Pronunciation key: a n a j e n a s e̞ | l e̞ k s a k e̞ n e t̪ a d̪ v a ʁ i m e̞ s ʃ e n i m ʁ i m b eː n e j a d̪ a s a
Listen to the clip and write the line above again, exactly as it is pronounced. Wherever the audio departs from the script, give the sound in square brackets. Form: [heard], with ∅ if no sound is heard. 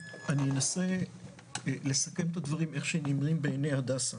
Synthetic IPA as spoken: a n [i] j e n a s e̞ | l e̞ [∅] s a k e̞ [m] e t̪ a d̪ v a ʁ i m e̞ [χ] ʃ e n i m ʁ i m b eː n e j a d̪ a s a